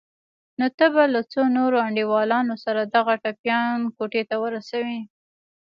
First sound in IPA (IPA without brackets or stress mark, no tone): n